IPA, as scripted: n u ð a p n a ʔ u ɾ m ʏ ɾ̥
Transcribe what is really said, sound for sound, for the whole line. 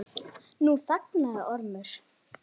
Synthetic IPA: n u θ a k n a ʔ ɔ ɾ m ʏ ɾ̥